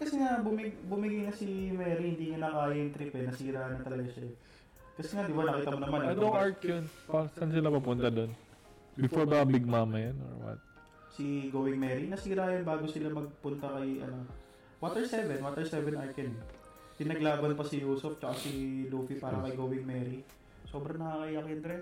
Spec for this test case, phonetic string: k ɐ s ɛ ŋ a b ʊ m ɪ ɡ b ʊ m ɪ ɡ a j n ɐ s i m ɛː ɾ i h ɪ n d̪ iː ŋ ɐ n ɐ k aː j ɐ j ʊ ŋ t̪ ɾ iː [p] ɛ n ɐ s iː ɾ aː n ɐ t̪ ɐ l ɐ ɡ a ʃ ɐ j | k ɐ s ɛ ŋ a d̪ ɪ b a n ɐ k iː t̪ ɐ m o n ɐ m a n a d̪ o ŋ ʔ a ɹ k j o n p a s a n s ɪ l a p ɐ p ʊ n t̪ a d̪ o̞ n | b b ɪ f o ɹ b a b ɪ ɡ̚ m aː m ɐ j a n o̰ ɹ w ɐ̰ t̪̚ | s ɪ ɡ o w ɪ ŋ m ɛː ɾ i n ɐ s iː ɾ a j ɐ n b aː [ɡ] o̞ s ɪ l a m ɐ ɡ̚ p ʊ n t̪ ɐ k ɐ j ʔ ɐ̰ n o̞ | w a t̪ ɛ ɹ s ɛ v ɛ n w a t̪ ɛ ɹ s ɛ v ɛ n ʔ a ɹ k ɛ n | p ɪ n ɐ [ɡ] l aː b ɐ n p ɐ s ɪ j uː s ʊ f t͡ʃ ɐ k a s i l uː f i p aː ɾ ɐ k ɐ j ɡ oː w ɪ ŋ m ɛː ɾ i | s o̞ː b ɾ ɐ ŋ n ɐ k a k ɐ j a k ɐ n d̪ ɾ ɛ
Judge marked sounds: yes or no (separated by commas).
yes, yes, yes